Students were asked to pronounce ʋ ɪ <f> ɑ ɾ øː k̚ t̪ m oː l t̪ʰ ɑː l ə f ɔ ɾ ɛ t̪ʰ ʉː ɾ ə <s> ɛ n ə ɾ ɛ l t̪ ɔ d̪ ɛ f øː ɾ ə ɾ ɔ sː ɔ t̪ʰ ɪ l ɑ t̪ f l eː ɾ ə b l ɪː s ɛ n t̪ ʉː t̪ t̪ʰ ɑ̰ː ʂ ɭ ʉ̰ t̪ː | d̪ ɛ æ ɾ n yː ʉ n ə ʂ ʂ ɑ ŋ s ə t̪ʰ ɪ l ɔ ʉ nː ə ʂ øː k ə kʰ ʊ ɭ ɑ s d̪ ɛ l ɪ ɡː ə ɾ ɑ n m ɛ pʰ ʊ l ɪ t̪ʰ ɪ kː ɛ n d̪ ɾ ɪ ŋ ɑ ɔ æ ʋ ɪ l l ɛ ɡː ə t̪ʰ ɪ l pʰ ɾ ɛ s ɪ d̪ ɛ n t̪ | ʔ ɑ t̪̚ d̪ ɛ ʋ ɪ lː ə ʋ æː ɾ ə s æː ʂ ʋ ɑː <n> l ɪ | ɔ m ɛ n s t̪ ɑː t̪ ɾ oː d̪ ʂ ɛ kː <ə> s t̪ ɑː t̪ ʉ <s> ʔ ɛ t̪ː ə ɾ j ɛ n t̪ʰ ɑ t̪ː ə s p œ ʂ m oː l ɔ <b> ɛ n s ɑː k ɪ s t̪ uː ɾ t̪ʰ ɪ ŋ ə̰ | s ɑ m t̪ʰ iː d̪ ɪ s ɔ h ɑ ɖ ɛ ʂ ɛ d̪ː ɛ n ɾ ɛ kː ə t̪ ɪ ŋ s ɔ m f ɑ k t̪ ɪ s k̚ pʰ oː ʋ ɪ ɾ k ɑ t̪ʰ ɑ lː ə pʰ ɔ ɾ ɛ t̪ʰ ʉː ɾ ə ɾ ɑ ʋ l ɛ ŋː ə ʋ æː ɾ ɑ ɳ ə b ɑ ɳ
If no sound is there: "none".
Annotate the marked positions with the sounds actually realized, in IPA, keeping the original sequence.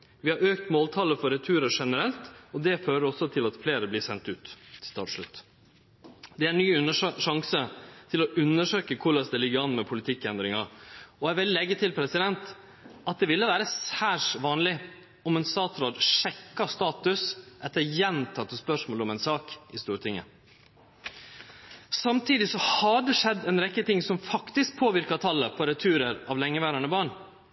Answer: h, ʂ, n, ɑ, s, m

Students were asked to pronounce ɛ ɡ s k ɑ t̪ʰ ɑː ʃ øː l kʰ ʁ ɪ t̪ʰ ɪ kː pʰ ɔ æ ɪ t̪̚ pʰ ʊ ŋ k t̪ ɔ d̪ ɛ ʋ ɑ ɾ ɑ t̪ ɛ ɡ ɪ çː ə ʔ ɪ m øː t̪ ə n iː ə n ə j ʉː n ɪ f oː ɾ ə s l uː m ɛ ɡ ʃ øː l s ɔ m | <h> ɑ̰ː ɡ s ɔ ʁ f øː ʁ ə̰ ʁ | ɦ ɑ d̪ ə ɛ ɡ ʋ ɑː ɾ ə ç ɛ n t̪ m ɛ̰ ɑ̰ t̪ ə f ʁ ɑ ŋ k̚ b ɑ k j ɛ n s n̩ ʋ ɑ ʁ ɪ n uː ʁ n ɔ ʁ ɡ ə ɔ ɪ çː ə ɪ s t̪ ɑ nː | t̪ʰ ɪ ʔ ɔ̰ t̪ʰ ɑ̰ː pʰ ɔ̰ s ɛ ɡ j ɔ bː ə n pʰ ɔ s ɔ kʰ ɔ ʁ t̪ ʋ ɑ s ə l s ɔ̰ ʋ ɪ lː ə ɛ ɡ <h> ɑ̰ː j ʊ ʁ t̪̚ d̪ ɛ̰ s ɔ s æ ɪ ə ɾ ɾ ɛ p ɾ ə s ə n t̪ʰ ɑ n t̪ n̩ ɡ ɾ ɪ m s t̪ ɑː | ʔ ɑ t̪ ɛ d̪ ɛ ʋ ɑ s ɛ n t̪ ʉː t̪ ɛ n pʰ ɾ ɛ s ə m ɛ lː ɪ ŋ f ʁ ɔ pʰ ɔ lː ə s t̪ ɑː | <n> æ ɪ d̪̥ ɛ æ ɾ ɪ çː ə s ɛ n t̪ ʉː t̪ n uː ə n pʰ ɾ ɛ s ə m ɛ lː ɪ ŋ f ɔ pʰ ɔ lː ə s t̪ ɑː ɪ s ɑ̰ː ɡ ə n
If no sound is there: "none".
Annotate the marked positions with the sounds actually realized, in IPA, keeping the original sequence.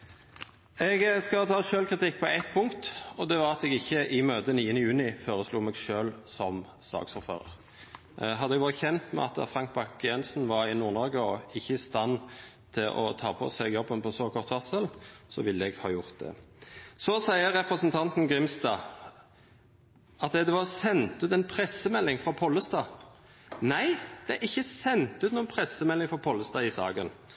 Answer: s, h, n

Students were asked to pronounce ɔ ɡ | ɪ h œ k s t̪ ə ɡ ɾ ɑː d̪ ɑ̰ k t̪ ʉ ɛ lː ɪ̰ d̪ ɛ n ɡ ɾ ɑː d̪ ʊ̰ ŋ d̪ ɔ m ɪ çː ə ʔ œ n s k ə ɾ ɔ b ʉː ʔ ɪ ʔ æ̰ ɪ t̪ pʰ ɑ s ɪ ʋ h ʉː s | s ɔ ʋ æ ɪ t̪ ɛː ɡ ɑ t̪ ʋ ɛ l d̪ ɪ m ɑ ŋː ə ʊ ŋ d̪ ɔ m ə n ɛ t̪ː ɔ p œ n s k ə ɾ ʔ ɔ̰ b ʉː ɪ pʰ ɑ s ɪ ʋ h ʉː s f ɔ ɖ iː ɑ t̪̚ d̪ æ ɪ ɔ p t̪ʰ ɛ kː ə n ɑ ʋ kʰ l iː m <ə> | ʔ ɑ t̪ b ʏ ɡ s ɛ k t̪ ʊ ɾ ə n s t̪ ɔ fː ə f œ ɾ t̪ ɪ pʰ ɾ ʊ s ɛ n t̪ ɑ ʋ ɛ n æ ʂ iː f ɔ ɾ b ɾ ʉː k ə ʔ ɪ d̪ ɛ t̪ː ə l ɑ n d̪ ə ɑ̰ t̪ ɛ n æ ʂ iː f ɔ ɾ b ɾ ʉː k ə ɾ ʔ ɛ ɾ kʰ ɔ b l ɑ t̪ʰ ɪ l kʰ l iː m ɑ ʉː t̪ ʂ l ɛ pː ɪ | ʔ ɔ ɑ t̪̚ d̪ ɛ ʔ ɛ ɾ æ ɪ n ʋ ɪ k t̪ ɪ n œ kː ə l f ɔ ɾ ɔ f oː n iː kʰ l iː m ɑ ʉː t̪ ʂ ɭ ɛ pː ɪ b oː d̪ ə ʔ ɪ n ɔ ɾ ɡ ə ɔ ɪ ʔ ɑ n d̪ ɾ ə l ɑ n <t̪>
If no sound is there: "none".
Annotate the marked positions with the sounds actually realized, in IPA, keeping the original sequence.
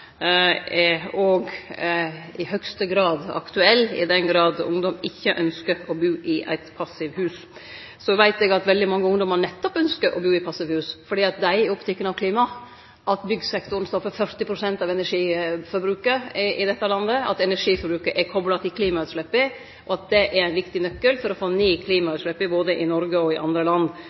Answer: ɑ, d̪

